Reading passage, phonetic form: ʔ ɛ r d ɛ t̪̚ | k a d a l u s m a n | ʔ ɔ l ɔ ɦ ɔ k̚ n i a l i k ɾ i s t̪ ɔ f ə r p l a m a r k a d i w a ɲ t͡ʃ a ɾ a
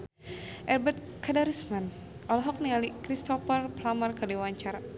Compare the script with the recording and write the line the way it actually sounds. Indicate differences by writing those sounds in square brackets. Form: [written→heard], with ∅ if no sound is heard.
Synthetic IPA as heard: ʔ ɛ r [d→b] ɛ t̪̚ | k a d a [l→ɾ] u s m a n | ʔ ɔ l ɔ ɦ ɔ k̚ n i a l i k ɾ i s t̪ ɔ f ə r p l a m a r k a d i w a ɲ t͡ʃ a ɾ a